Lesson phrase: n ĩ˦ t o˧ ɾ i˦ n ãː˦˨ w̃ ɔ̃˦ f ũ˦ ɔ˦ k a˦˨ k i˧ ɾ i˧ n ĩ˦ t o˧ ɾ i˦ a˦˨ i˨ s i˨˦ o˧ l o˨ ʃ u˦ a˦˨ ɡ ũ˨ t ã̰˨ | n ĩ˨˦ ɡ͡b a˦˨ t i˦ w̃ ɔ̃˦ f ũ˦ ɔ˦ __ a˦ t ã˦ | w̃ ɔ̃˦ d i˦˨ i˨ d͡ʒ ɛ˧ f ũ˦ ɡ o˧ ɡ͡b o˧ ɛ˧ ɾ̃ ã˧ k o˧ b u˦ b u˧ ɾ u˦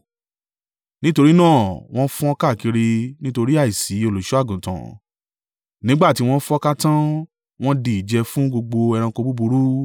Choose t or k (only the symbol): k